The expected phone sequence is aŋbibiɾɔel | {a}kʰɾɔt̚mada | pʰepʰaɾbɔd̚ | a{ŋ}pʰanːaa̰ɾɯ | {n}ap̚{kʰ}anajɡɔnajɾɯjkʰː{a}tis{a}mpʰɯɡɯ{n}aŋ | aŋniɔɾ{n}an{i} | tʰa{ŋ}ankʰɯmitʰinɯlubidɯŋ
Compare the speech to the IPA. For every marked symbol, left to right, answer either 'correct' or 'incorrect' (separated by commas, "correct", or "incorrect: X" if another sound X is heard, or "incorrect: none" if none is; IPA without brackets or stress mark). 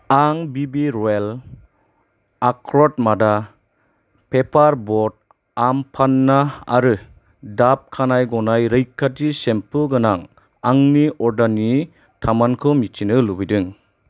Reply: correct, incorrect: m, incorrect: d, correct, correct, incorrect: e, correct, incorrect: d, correct, incorrect: m